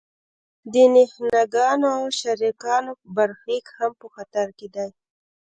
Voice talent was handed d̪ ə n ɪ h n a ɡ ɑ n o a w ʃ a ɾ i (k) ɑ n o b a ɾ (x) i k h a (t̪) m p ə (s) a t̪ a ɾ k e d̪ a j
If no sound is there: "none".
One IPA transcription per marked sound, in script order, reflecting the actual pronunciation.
k, x, none, x

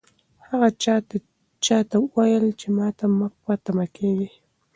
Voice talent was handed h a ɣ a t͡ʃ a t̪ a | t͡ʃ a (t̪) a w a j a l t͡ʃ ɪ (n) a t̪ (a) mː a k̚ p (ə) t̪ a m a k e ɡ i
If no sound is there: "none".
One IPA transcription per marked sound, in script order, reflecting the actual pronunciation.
t̪, m, a, a

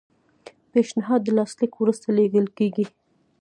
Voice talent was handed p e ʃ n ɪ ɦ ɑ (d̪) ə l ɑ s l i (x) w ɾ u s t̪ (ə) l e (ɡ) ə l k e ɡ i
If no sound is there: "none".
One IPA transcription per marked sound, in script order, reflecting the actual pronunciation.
d̪ː, k, a, ɡ

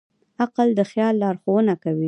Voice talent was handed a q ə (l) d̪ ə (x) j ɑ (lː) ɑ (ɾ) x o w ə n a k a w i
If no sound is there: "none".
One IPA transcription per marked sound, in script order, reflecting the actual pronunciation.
l, x, lː, ɾ

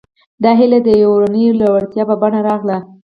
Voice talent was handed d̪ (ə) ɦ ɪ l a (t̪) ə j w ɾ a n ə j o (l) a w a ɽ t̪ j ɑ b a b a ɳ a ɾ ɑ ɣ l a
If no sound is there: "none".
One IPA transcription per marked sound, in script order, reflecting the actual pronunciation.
ɑ, d̪, l

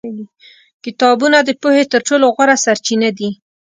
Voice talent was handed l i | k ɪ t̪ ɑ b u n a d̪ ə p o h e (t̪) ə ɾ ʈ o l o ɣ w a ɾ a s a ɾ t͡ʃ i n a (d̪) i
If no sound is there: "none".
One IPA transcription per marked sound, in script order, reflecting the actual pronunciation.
t̪, d̪

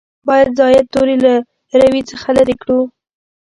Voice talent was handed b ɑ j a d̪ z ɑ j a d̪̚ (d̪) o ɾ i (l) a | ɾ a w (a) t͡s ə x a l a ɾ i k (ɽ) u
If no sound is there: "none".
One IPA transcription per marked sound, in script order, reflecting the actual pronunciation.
t̪, l, i, ɽ

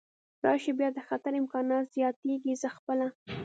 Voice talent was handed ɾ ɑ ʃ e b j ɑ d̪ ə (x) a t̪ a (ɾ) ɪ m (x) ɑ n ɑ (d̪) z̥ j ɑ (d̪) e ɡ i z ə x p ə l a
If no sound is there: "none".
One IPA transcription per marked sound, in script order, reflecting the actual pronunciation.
x, ɾ, k, t̪, t̪

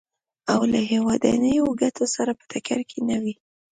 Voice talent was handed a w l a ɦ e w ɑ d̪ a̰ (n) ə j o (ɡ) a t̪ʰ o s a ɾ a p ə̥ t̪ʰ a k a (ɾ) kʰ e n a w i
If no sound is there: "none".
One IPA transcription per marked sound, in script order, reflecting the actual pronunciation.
n, ɡ, ɾ

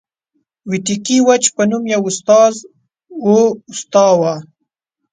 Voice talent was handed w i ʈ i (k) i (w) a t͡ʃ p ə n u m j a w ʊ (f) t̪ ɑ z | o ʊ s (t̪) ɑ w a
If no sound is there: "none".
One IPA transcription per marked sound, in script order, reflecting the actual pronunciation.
k, w, s, t̪

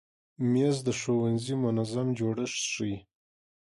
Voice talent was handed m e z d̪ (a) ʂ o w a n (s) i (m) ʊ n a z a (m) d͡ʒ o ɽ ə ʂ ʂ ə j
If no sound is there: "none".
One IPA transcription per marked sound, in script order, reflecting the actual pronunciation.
ə, z, m, m

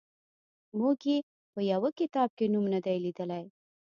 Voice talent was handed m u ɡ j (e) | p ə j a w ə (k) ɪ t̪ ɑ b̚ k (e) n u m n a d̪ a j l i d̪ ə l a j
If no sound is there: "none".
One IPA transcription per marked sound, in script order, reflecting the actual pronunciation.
e, k, e

